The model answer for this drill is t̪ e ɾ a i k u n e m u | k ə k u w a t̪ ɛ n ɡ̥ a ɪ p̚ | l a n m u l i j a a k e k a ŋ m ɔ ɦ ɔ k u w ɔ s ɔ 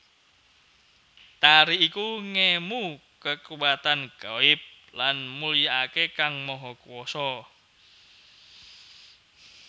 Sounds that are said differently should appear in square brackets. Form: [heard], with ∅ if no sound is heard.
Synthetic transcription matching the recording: t̪ [a] ɾ [i] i k u [ŋ] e m u | k ə k u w a t̪ [a] n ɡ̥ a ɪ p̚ | l a n m u l i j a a k e k a ŋ m ɔ ɦ ɔ k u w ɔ s ɔ